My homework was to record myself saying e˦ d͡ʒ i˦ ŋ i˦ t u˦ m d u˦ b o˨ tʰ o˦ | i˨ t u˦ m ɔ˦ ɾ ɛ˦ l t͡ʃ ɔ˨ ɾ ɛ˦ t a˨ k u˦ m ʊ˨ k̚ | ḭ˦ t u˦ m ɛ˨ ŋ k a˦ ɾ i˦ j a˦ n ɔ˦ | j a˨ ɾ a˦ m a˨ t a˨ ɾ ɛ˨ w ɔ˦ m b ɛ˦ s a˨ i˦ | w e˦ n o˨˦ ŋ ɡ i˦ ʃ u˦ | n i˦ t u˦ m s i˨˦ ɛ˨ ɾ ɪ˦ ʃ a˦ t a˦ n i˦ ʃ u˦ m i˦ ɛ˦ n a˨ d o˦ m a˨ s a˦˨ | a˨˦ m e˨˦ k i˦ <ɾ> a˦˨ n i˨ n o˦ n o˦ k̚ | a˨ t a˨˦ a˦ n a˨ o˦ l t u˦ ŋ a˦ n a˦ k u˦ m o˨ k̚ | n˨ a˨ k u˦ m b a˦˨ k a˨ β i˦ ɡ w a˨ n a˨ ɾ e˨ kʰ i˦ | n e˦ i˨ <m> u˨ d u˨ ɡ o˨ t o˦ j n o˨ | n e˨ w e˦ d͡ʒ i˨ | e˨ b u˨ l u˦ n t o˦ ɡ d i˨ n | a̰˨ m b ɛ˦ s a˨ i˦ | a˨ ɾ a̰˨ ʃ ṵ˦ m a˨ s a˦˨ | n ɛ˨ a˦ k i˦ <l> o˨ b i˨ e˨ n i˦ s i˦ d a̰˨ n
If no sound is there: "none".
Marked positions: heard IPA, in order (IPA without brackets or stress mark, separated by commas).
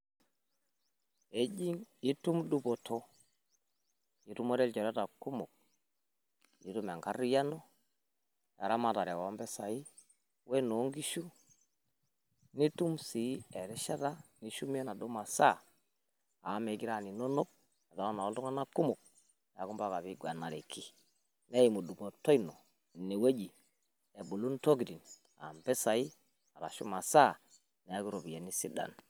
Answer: ɾ, m, ɾ